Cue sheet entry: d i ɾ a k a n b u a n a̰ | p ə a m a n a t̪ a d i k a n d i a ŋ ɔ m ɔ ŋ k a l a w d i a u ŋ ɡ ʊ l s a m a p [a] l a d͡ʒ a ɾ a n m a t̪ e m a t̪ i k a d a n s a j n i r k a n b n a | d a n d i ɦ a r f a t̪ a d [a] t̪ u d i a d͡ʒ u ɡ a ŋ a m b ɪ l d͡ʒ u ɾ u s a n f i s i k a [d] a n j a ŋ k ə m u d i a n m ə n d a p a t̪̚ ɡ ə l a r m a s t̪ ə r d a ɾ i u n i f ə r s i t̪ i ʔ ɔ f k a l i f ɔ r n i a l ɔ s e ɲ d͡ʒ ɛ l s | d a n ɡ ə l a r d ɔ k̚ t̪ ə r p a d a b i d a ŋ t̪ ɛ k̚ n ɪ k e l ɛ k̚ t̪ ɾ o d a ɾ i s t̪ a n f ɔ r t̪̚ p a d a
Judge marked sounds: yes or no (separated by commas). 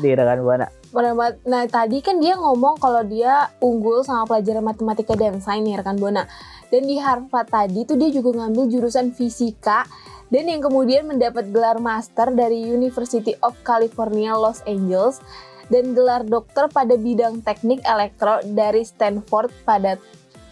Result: no, no, yes